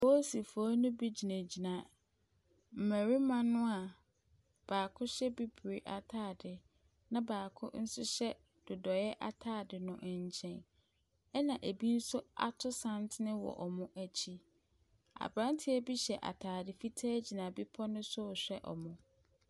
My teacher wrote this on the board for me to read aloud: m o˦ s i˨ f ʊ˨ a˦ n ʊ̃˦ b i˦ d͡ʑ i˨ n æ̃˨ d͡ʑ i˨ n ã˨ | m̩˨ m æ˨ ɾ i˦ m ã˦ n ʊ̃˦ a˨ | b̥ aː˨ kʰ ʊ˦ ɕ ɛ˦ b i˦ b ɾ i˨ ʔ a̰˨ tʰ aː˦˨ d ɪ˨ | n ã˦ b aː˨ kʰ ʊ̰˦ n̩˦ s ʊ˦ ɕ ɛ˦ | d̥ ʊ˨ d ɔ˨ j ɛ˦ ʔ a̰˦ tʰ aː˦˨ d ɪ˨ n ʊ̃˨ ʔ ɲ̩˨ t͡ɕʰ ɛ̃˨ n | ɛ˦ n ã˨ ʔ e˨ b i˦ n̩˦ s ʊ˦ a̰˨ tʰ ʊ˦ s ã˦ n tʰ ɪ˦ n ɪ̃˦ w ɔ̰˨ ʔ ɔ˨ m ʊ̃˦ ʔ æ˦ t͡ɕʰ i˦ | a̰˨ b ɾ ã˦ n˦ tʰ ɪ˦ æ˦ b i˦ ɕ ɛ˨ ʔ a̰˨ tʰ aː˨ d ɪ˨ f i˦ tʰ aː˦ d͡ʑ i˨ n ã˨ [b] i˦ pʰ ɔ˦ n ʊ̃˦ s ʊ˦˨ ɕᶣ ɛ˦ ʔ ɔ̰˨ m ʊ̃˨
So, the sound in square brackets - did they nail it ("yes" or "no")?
yes